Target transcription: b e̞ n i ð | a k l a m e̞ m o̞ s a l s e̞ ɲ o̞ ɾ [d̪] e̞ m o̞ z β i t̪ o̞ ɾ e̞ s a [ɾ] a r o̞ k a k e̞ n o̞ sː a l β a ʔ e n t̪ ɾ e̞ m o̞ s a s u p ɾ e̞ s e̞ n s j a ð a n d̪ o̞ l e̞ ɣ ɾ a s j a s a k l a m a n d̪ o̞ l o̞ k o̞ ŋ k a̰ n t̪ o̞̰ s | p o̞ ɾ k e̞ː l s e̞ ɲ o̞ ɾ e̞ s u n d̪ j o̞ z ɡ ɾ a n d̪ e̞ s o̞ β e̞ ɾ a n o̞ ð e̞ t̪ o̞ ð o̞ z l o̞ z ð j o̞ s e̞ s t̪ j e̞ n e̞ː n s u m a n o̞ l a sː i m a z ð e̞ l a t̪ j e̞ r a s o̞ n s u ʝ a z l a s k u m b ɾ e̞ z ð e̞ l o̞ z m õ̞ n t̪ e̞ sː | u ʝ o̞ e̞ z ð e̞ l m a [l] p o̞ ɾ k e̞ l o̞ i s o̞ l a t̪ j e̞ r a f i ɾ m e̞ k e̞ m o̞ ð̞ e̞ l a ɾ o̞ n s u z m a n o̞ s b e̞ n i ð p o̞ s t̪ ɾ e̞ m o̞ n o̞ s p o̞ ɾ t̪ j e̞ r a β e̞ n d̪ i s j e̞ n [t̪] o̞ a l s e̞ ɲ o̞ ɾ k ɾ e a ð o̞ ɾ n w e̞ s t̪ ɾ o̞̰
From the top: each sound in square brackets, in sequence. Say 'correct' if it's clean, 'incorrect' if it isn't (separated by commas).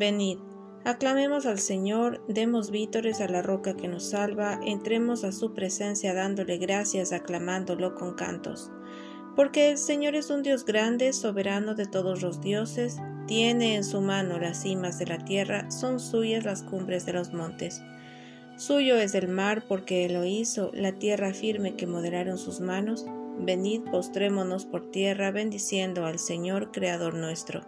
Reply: correct, incorrect, incorrect, incorrect